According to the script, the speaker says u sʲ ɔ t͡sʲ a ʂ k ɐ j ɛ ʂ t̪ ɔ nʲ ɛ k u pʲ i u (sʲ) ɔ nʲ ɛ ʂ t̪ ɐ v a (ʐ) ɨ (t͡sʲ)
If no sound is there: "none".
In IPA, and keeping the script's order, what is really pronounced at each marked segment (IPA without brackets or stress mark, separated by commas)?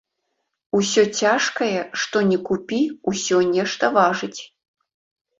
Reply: sʲ, ʐ, t͡sʲ